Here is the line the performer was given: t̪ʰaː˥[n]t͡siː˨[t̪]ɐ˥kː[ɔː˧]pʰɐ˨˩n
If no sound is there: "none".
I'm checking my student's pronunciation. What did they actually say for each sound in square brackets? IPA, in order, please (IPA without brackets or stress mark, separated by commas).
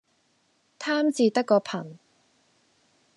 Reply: m, t̪, ɔː˧